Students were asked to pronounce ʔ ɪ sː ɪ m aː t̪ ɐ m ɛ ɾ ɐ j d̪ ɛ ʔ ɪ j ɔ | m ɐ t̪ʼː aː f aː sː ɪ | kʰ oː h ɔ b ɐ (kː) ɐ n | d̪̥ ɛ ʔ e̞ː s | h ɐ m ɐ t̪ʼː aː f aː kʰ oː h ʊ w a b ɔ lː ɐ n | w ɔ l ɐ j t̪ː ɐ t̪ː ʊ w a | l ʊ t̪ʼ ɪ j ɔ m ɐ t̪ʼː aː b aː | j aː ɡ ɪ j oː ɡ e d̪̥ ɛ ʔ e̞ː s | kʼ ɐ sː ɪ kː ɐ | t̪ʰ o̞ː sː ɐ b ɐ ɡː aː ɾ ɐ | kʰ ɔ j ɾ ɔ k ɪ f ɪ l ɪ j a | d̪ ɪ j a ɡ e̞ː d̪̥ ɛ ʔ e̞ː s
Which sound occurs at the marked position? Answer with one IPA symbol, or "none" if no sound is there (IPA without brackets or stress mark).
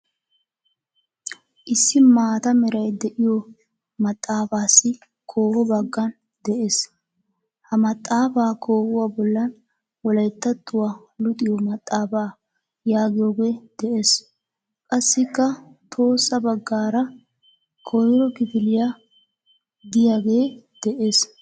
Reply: ɡː